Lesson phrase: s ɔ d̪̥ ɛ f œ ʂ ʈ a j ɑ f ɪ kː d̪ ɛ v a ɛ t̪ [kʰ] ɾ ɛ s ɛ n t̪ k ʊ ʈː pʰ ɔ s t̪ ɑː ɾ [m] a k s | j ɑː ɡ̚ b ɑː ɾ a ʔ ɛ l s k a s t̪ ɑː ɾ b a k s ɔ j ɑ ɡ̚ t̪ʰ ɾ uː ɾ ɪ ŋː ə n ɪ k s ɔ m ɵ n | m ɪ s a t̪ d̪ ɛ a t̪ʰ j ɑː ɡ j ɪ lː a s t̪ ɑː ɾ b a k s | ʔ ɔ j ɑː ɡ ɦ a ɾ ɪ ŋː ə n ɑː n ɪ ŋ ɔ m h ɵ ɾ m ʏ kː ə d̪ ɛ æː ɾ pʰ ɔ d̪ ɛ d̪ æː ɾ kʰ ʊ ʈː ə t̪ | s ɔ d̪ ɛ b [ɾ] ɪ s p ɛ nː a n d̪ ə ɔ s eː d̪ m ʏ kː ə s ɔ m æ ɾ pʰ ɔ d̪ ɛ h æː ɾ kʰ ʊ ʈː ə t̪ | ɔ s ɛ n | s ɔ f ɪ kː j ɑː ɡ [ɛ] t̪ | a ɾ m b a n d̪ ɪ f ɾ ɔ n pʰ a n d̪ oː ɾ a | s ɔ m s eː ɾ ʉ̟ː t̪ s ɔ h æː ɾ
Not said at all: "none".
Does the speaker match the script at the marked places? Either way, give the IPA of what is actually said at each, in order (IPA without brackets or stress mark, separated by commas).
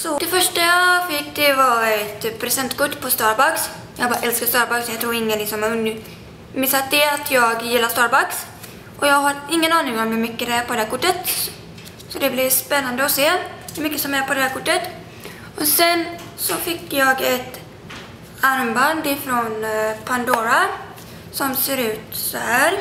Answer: pʰ, b, l, ɛ